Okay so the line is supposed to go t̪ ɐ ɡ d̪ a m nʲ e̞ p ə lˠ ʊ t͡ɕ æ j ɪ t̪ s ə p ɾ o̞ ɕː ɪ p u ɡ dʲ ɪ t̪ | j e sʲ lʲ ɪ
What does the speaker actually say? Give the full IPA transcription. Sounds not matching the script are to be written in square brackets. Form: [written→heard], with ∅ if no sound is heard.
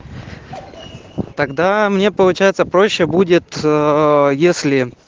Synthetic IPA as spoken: t̪ ɐ ɡ d̪ a m nʲ e̞ p ə lˠ ʊ t͡ɕ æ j ɪ t̪ s ə p ɾ o̞ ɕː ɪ [p→b] u [ɡ→∅] dʲ ɪ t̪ | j e sʲ lʲ ɪ